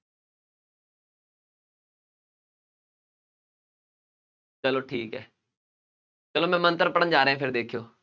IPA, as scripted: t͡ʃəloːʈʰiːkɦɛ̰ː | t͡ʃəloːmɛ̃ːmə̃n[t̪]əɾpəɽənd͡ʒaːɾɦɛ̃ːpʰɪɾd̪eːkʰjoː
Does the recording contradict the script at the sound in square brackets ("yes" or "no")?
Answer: no